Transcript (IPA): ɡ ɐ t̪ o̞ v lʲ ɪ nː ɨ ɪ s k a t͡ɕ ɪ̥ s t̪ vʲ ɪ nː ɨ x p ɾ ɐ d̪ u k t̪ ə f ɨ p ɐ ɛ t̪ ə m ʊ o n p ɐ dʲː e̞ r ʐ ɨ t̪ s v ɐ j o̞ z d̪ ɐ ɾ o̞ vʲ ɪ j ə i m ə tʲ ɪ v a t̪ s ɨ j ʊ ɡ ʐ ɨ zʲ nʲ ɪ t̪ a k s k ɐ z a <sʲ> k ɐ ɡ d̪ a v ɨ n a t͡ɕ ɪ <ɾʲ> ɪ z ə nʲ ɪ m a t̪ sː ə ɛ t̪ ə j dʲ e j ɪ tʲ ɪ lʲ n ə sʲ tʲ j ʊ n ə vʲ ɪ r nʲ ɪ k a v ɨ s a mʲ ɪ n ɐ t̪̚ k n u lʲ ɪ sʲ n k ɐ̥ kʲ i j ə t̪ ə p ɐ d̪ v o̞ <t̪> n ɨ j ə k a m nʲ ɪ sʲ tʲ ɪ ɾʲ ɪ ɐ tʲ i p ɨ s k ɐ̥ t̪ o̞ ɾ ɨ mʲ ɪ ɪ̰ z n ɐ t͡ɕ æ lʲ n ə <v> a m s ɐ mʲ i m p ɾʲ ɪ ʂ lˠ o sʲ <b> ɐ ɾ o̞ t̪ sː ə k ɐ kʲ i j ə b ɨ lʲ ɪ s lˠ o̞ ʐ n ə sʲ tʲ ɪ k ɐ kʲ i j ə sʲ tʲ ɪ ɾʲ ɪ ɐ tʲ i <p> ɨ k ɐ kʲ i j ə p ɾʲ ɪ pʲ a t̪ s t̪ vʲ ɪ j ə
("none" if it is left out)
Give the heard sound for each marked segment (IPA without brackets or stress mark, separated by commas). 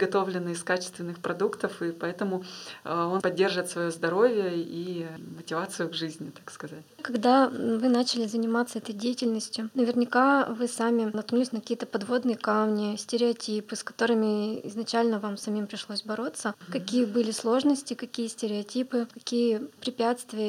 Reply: tʲ, lʲ, d̪, v, b, p